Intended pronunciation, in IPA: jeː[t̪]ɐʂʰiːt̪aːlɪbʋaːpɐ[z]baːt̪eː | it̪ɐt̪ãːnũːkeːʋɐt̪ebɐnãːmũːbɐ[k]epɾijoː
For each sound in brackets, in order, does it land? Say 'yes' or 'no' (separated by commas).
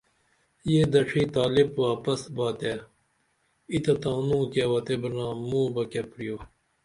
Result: no, no, yes